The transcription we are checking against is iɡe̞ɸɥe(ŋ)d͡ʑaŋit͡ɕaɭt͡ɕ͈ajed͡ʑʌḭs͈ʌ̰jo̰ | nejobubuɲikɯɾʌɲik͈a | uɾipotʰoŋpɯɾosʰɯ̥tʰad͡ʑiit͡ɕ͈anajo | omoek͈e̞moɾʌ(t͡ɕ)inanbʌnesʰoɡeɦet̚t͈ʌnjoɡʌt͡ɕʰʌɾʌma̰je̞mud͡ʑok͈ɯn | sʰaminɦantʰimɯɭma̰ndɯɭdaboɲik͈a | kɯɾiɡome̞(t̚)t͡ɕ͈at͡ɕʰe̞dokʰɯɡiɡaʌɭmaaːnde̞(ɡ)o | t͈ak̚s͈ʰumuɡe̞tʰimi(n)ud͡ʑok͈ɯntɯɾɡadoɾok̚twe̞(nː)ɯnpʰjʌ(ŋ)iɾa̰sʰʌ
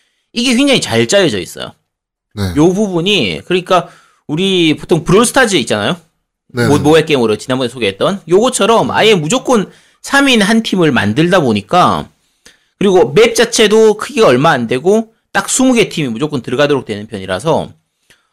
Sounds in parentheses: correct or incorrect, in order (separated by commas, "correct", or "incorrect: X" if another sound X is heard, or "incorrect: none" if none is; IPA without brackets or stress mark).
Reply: correct, correct, incorrect: p̚, correct, incorrect: m, incorrect: n, incorrect: ɲ